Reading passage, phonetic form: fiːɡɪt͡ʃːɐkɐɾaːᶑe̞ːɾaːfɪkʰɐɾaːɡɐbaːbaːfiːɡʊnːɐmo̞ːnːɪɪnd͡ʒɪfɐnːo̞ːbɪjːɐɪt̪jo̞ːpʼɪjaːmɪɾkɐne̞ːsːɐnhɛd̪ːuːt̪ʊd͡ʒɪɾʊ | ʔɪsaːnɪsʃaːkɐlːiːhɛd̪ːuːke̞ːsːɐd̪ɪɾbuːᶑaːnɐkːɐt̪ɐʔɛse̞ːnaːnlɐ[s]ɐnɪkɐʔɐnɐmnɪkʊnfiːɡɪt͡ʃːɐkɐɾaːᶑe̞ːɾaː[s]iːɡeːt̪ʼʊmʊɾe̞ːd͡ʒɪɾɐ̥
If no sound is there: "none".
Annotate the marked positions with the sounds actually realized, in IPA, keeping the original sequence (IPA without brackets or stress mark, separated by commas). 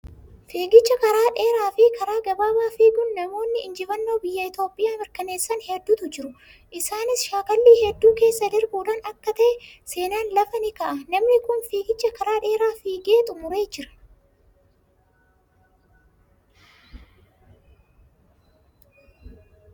f, f